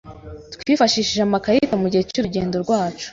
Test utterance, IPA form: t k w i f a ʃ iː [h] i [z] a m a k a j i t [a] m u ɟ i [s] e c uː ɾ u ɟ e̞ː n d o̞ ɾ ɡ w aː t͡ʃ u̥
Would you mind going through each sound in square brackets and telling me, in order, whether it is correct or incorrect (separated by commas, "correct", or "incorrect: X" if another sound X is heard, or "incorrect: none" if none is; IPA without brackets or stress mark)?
incorrect: ʃ, incorrect: ʒ, correct, incorrect: h